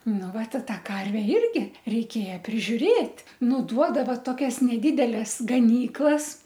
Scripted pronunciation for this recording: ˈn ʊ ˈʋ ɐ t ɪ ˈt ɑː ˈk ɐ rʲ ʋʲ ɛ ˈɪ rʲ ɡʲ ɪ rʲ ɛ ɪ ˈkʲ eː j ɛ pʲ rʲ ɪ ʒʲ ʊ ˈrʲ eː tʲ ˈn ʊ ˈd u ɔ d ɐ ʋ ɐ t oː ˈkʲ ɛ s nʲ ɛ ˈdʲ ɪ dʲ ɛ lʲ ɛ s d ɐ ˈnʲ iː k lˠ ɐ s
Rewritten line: ˈn ʊ ˈʋ ɐ t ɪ ˈt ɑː ˈk ɐ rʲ ʋʲ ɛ ˈɪ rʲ ɡʲ ɪ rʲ ɛ ɪ ˈkʲ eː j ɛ pʲ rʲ ɪ ʒʲ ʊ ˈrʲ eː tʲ ˈn ʊ ˈd u ɔ d ɐ ʋ ɐ t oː ˈkʲ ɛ s nʲ ɛ ˈdʲ ɪ dʲ ɛ lʲ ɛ s ɡ ɐ ˈnʲ iː k lˠ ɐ s